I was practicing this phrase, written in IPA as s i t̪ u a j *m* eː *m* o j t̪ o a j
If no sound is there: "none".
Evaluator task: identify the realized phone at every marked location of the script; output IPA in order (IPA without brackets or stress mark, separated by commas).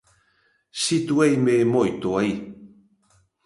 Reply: m, m